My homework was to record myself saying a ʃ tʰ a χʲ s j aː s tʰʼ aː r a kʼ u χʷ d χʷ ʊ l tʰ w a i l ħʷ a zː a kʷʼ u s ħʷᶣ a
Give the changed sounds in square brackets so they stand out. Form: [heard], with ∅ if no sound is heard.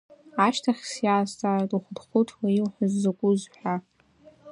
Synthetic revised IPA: a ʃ tʰ a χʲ s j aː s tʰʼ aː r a [tʼ] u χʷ d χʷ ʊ [∅] tʰ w a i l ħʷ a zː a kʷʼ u [z] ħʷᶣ a